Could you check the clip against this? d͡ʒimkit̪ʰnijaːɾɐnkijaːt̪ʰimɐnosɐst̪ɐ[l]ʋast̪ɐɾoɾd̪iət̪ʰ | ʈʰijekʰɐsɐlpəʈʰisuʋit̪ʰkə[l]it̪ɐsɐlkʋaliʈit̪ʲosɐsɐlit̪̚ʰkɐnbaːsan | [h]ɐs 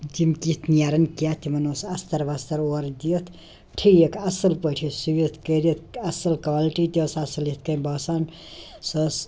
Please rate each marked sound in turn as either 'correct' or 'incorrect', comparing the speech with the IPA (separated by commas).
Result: incorrect, incorrect, incorrect